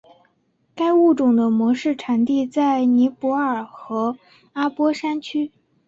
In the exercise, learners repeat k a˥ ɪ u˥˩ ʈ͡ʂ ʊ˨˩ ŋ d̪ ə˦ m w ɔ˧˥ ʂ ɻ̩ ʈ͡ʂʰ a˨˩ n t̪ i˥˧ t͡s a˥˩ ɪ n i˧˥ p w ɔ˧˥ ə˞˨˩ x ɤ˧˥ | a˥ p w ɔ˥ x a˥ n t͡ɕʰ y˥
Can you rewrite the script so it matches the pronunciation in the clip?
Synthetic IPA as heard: k a˥ ɪ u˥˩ ʈ͡ʂ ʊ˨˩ ŋ d̪ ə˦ m w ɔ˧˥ ʂ ɻ̩ ʈ͡ʂʰ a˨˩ n t̪ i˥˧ t͡s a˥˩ ɪ n i˧˥ p w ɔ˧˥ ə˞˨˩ x ɤ˧˥ | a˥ p w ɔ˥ ʂ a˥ n t͡ɕʰ y˥